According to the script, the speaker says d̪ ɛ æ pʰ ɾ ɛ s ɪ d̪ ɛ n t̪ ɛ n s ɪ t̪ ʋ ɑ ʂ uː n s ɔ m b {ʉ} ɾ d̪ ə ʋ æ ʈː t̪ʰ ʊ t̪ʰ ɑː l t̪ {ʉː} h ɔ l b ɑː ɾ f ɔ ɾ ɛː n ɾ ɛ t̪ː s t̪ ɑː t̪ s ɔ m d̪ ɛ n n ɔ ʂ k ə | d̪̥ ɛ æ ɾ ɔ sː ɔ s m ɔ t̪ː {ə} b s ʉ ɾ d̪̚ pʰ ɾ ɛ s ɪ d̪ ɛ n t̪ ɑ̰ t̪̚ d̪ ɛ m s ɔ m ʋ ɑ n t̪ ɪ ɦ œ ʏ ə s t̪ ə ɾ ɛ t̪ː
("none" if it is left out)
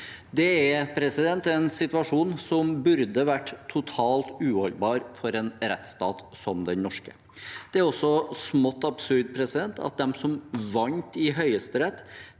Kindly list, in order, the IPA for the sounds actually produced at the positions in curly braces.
ʉ, ʉː, ɑ

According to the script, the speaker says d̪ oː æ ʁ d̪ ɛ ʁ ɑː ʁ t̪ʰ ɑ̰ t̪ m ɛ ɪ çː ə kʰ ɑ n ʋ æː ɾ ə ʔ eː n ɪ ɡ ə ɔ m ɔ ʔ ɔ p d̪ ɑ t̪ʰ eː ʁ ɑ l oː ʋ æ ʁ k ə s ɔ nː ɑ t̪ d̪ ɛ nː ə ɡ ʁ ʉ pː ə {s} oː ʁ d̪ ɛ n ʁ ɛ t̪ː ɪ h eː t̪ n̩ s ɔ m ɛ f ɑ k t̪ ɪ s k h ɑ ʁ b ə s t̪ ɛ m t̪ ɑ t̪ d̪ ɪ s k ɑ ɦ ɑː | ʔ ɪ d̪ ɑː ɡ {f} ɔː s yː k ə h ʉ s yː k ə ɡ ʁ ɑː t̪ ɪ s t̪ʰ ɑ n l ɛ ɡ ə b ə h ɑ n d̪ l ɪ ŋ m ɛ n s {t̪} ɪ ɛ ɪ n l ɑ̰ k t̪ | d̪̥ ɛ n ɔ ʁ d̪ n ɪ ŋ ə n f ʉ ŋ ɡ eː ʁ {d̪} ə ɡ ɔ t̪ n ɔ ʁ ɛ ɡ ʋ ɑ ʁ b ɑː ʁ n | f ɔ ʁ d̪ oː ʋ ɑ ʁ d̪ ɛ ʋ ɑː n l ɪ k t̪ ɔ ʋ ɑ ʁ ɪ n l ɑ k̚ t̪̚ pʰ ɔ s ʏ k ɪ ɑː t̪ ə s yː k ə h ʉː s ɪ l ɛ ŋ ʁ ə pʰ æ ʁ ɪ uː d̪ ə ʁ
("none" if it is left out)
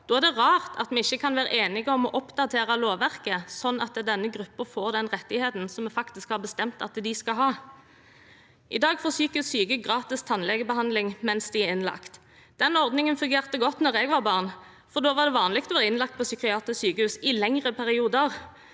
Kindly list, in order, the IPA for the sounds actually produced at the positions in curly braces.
f, f, d̪, t̪

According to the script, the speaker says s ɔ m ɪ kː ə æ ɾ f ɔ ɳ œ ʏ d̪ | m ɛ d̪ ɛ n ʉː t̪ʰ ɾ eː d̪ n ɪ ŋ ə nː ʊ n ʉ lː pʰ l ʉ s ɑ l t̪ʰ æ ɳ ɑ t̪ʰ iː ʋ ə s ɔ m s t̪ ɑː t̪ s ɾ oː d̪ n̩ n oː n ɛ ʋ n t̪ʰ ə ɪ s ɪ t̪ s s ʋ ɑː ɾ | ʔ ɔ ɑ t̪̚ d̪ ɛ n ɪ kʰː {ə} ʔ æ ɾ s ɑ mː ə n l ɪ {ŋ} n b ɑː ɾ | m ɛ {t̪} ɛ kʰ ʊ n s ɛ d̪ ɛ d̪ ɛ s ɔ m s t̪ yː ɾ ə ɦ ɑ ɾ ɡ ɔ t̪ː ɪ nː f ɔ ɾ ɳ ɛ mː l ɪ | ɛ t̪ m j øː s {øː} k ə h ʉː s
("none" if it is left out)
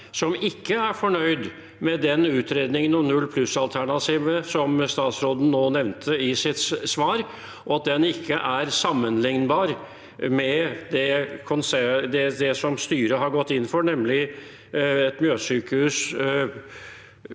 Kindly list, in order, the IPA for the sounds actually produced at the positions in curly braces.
ə, ŋ, d̪, yː

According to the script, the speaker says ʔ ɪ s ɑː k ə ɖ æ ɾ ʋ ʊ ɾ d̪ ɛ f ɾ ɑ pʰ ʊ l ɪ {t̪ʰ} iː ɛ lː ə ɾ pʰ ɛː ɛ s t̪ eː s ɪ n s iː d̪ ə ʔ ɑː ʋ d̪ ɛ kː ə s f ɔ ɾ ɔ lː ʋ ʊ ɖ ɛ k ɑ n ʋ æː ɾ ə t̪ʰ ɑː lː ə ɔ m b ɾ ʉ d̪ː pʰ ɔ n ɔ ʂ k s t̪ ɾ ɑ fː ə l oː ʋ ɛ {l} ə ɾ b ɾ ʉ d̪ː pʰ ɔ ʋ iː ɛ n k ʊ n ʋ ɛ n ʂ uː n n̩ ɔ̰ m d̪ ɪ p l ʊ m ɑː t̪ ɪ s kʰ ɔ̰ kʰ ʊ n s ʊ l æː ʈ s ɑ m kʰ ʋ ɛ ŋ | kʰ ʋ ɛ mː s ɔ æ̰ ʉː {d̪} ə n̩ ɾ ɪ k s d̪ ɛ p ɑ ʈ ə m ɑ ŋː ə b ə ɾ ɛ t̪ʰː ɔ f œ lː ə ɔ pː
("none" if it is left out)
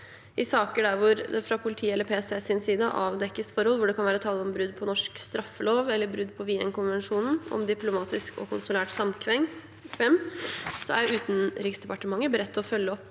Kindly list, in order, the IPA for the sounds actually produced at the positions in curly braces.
t̪ʰ, lː, t̪

